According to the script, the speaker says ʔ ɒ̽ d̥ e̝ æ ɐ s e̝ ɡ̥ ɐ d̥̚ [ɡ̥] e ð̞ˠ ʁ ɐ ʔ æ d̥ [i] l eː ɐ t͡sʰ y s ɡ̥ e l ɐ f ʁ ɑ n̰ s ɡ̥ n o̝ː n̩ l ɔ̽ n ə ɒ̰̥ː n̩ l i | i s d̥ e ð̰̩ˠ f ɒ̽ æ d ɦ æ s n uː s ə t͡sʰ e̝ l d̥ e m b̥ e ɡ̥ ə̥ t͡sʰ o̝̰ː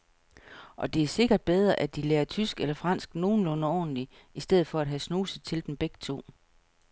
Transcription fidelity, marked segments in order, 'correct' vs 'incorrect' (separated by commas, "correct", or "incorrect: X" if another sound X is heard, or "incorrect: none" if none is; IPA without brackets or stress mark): incorrect: b̥, correct